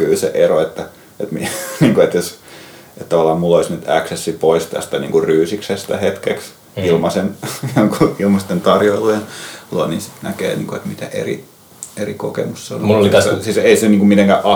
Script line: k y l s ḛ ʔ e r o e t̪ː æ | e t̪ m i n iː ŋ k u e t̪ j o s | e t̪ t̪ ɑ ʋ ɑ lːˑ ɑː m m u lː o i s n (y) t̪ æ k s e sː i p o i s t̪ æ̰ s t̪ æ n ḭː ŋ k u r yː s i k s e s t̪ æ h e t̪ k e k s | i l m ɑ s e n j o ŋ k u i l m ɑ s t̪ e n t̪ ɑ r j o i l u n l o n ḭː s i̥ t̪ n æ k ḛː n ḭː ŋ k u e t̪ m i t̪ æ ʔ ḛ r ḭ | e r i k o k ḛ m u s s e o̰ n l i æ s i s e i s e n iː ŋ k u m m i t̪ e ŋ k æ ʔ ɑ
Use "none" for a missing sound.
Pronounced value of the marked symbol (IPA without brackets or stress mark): y